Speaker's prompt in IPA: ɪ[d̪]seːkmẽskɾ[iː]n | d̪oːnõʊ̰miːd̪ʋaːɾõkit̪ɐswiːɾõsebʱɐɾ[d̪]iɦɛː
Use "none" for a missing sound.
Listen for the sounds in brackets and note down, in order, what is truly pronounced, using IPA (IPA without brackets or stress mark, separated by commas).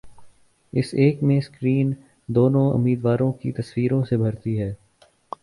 none, iː, t̪